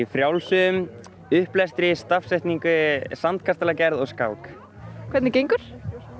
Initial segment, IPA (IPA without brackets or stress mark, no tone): f